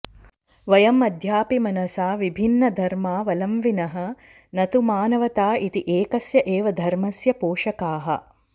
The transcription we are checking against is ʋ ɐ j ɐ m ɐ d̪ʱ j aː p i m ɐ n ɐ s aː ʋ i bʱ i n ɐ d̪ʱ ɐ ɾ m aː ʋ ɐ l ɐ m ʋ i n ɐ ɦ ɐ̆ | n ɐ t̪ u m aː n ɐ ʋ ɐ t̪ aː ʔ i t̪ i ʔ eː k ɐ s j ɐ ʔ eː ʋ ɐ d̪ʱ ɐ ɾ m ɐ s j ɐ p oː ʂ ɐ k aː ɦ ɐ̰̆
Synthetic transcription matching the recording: ʋ ɐ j ɐ m ɐ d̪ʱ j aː p i m ɐ n ɐ s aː ʋ i bʱ i nː ɐ d̪ʱ ɐ ɾ m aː ʋ ɐ l ɐ m ʋ i n ɐ ɦ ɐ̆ | n ɐ t̪ u m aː n ɐ ʋ ɐ t̪ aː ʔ i t̪ i ʔ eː k ɐ s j ɐ ʔ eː ʋ ɐ d̪ʱ ɐ ɾ m ɐ s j ɐ p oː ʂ ɐ k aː ɦ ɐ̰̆